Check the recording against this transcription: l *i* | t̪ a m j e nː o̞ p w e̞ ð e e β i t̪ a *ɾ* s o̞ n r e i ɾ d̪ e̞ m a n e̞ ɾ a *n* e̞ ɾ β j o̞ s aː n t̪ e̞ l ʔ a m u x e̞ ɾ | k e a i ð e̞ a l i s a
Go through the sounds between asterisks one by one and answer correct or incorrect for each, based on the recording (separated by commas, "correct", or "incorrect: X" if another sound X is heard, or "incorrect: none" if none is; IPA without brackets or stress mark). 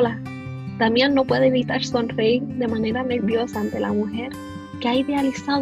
incorrect: a, correct, correct